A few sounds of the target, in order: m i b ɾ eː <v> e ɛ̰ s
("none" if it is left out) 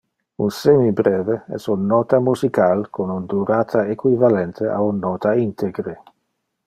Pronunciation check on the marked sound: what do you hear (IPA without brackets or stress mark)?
v